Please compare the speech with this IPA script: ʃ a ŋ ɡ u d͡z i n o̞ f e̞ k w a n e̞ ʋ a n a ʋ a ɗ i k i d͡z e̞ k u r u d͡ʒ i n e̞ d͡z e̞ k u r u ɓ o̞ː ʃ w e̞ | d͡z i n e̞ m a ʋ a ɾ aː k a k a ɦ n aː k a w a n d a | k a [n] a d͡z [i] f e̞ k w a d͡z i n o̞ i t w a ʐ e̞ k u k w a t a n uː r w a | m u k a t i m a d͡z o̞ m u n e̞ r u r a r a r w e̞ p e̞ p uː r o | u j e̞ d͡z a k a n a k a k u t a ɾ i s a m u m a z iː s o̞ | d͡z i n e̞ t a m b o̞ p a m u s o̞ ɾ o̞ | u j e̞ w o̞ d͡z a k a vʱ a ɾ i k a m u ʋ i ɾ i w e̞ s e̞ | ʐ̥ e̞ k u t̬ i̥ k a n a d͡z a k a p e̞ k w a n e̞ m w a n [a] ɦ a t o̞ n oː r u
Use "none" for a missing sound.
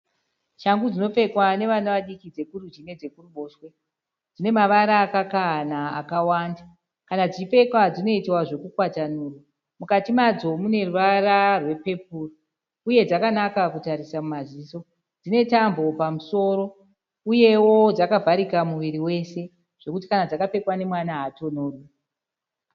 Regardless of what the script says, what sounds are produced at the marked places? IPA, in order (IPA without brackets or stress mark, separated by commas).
n, i, a